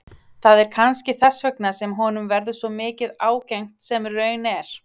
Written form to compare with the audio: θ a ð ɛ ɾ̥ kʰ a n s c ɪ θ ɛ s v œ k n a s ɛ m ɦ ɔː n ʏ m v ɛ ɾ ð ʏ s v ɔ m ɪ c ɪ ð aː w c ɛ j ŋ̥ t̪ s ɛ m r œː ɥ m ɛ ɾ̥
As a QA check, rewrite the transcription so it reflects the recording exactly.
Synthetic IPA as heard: θ a ð ɛ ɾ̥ kʰ a n s c ɪ θ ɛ s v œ k n a s ɛ m ɦ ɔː n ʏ m v ɛ ɾ ð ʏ s v ɔ m ɪː c ɪ ð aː w c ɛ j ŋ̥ t̪ s ɛ m r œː ɥ n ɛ ɾ̥